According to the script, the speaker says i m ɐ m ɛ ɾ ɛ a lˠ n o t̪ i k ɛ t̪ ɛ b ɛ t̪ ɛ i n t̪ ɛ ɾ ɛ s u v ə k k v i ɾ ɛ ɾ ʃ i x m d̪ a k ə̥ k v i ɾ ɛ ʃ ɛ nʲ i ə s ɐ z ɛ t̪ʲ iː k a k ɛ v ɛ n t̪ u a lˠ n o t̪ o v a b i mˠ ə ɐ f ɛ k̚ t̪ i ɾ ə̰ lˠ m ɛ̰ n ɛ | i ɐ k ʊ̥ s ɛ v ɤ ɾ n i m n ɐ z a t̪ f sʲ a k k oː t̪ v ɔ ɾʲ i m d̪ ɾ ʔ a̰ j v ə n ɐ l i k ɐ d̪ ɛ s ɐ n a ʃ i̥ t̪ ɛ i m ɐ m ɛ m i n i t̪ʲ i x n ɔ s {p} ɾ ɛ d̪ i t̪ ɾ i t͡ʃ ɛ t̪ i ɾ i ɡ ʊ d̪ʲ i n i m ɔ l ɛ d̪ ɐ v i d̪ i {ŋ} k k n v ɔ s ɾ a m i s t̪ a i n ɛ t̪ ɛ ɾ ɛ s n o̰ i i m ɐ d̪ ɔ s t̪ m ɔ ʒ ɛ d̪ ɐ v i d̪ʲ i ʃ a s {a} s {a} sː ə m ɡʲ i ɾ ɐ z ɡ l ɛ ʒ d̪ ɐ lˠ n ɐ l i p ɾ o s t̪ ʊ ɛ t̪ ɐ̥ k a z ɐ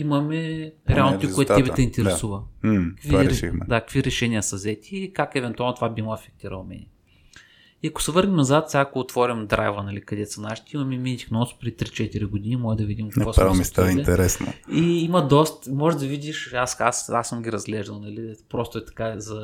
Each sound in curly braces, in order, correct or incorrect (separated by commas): correct, incorrect, correct, correct